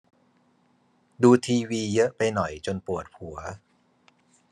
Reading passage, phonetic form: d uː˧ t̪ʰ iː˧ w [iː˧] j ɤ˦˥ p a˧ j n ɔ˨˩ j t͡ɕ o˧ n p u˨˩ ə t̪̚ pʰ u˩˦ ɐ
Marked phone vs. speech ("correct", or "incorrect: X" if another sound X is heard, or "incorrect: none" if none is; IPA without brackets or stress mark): correct